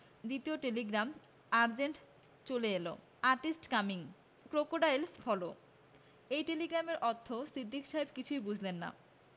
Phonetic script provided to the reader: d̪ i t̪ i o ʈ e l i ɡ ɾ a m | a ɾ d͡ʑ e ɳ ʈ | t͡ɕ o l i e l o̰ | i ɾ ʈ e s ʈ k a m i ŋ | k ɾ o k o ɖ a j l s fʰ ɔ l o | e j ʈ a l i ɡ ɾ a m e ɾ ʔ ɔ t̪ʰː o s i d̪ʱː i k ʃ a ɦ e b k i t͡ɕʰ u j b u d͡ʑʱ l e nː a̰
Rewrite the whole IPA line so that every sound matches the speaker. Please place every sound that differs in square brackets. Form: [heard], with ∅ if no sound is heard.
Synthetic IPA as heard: d̪ i t̪ i o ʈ e l i ɡ ɾ a m | a ɾ d͡ʑ e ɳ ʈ | t͡ɕ o l [e] e l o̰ | [a] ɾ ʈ [i] s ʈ k a m i ŋ | k ɾ o k o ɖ a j l s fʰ ɔ l o | e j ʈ [e] l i ɡ ɾ a m e ɾ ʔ ɔ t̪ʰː o s i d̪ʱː i k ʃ a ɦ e b k i t͡ɕʰ u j b u d͡ʑʱ l e nː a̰